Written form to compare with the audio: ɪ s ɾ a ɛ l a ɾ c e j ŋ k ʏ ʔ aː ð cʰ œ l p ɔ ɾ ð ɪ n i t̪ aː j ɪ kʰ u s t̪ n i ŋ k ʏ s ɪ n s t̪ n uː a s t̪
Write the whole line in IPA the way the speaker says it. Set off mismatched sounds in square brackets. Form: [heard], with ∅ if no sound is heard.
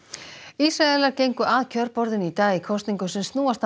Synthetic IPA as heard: [i] s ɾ a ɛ l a ɾ c e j ŋ k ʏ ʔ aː ð cʰ œ [ɾ] p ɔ ɾ ð ɪ n i t̪ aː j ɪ kʰ [ɔ] s t̪ n i ŋ k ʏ s ɪ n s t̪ n uː a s t̪